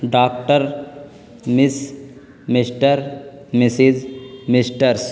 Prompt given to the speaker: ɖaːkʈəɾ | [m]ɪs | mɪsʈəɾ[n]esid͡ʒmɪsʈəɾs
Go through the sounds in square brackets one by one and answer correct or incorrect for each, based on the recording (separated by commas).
correct, incorrect